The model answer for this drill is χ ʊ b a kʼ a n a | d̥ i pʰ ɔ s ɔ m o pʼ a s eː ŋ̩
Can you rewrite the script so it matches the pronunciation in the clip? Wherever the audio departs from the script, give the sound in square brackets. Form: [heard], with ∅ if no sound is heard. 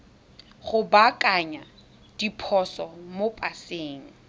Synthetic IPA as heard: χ ʊ b a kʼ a [ɲ] a | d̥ i pʰ ɔ s ɔ m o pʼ a s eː ŋ̩